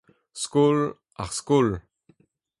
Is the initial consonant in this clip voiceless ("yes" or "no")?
yes